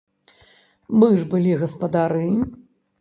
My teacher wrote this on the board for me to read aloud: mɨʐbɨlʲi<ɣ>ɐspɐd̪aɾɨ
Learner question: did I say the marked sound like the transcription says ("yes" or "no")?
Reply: yes